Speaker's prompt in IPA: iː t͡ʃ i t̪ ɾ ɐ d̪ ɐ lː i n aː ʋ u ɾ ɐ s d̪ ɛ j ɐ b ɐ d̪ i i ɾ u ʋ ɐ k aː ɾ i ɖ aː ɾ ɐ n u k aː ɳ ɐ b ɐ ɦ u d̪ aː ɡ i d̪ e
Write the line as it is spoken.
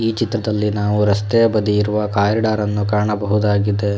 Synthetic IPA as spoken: iː t͡ʃ i t̪ ɾ ɐ d̪ ɐ lː i n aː ʋ u ɾ ɐ s t̪ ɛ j ɐ b ɐ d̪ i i ɾ u ʋ ɐ k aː ɾ i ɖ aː ɾ ɐ nː u k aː ɳ ɐ b ɐ ɦ u d̪ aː ɡ i d̪ e